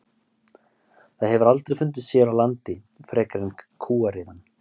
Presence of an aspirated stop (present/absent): present